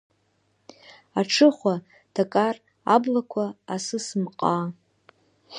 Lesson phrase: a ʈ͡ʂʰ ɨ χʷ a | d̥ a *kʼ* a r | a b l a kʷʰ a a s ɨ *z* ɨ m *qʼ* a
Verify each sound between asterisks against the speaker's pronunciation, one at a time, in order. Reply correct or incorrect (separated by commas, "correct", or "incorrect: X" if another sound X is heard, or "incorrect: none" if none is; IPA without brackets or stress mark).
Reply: correct, incorrect: s, correct